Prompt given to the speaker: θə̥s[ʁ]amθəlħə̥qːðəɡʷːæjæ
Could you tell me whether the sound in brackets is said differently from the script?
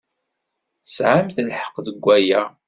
yes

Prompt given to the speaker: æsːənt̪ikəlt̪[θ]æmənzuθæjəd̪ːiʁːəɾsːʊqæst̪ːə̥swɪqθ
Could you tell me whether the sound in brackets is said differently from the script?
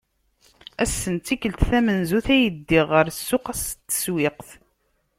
no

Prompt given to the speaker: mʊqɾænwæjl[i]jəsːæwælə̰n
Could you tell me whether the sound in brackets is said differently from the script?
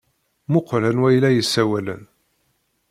yes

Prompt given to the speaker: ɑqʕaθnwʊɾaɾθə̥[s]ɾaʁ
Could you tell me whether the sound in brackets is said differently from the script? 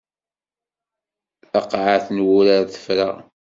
yes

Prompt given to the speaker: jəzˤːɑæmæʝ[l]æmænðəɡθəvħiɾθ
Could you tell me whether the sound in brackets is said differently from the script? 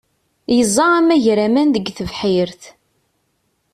yes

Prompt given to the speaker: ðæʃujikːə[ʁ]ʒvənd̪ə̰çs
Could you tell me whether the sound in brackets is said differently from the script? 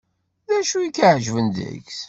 yes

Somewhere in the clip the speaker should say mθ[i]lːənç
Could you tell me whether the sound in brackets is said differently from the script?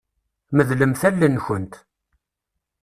yes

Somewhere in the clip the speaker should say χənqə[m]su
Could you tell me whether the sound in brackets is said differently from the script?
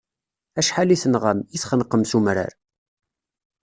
no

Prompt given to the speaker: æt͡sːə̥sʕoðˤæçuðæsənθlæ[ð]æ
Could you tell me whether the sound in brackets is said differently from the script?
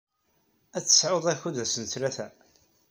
yes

